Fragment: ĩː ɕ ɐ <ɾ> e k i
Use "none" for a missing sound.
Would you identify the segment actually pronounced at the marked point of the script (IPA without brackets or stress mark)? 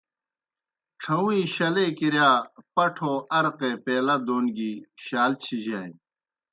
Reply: l